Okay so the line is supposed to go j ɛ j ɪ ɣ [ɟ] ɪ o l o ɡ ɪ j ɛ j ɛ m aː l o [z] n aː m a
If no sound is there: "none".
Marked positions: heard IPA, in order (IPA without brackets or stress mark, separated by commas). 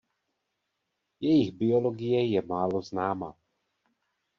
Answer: b, z